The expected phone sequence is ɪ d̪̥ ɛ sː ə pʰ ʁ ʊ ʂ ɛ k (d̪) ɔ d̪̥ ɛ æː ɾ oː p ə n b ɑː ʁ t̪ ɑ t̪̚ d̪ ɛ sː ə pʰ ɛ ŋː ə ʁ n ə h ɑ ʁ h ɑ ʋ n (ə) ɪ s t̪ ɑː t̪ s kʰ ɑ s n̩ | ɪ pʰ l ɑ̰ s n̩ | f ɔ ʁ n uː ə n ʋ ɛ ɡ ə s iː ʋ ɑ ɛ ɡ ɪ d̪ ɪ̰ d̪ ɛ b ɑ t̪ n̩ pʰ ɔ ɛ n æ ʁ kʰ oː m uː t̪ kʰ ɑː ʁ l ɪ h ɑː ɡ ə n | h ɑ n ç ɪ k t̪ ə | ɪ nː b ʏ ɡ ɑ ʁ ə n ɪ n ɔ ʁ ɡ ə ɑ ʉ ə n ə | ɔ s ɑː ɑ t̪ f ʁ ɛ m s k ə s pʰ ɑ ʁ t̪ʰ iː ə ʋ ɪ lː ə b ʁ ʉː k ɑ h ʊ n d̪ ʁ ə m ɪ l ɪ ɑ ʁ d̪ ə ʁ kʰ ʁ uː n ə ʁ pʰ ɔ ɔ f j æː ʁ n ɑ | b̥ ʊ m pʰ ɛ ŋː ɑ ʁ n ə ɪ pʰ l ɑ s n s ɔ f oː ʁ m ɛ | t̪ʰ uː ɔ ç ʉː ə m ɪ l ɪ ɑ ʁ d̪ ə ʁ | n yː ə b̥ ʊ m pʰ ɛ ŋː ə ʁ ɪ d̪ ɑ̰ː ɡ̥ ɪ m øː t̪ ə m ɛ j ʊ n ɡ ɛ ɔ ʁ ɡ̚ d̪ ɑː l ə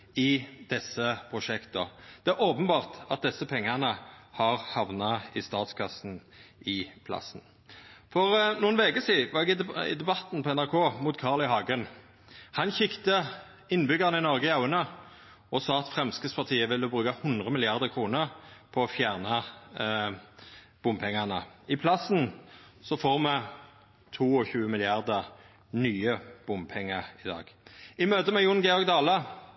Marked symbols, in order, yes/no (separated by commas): no, no